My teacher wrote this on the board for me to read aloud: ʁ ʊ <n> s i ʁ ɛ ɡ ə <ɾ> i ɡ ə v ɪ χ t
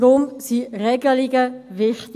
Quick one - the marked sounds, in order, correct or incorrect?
incorrect, incorrect

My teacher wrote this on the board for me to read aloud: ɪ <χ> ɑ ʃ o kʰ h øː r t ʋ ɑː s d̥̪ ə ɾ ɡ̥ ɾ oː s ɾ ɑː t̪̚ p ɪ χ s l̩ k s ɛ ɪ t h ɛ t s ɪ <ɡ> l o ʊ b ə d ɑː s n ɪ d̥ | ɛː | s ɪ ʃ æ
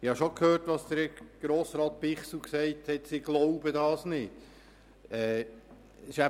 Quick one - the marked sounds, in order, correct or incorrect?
incorrect, correct

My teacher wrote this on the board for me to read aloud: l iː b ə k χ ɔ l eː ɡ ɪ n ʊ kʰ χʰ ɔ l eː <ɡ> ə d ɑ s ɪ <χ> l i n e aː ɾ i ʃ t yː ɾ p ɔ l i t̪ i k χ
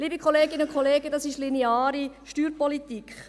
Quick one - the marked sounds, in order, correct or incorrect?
correct, incorrect

